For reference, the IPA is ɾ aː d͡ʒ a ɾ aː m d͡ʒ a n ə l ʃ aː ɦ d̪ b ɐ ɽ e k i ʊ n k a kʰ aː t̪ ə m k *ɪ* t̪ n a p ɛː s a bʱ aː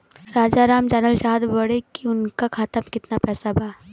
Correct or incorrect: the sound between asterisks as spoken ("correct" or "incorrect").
correct